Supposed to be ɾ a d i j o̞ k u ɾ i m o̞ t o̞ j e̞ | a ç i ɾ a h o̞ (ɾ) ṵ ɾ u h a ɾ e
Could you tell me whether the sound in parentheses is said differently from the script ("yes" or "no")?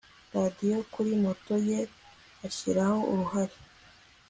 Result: yes